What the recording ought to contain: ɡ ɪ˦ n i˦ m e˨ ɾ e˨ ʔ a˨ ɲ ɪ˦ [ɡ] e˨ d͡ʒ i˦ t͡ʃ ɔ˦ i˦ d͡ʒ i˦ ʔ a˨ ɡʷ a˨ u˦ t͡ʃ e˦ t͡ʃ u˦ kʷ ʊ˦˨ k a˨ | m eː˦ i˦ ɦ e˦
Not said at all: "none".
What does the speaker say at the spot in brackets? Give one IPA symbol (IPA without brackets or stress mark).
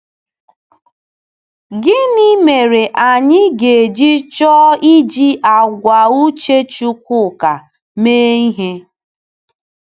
ɡ